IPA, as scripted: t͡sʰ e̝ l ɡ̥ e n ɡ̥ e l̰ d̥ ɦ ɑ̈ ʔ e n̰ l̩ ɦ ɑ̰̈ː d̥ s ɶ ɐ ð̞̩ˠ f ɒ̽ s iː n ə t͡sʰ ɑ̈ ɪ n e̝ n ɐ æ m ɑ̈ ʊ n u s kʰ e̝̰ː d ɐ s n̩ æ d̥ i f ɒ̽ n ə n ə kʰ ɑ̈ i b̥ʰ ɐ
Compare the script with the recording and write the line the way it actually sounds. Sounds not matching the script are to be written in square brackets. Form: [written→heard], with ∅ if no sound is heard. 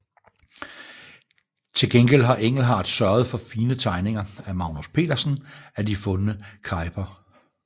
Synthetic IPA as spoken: t͡sʰ e̝ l ɡ̥ e n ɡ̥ e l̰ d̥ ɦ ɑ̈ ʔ e [n̰→ŋ̰] l̩ ɦ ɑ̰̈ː d̥ s ɶ ɐ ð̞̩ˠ f ɒ̽ [s→f] iː n ə t͡sʰ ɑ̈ ɪ n e̝ [n→ŋ] ɐ æ m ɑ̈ ʊ n u s [kʰ→pʰ] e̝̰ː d ɐ s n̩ æ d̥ i f [ɒ̽→ɔ̽] n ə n ə kʰ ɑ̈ [i→ɪ] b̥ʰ ɐ